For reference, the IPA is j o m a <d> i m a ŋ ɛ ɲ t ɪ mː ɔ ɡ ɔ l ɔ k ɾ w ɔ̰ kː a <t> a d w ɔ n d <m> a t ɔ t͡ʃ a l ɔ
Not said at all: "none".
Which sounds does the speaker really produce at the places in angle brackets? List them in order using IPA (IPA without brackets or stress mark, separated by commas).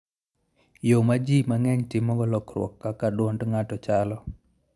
d͡ʒ, k, ŋ